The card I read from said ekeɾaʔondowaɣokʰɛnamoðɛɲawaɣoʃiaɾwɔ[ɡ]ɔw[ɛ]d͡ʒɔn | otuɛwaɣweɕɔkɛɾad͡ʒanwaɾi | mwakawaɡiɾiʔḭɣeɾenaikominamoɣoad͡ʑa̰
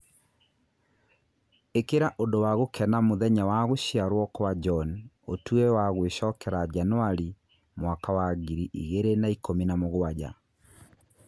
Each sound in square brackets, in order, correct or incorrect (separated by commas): incorrect, incorrect